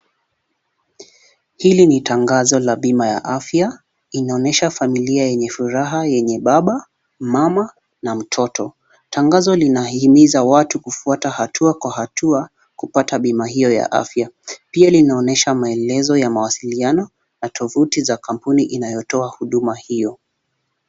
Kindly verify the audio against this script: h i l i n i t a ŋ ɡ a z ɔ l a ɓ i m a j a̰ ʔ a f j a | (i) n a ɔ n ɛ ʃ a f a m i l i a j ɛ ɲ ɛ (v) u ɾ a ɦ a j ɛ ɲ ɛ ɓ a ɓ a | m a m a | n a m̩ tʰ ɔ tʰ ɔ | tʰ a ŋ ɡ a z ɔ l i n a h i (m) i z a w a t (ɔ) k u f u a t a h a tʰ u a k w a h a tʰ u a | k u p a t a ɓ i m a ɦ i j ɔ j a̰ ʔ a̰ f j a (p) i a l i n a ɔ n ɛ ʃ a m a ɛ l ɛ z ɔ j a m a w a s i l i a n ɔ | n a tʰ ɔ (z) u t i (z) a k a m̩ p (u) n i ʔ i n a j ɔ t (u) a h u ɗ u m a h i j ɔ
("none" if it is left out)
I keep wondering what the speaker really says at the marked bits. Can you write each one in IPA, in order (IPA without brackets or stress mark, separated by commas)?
i, f, m, u, p, v, z, u, ɔ